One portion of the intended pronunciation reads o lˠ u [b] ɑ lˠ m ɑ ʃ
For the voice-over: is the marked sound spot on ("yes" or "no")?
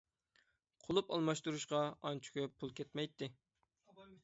no